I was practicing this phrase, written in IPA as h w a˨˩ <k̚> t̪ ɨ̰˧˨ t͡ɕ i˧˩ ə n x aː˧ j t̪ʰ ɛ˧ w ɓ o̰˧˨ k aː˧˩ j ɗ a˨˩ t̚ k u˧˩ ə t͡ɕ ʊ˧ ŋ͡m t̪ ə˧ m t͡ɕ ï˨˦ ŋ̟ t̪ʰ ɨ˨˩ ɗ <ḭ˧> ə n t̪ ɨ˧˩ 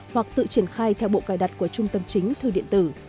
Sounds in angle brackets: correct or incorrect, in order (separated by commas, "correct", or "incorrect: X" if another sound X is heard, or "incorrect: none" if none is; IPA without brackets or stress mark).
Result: correct, correct